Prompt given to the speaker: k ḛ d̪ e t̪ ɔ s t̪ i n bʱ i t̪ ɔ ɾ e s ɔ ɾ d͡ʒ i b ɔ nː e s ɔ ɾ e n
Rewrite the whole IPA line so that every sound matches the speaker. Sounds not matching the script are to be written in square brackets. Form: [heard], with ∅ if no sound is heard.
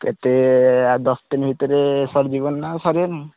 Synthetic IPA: k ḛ [t̪] e [d̪] ɔ s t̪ i n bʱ i t̪ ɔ ɾ e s ɔ ɾ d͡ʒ i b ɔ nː [a] s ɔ ɾ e n